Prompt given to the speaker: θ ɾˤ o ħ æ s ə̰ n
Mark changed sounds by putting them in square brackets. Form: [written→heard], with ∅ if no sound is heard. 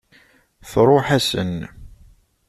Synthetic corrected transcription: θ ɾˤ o ħ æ s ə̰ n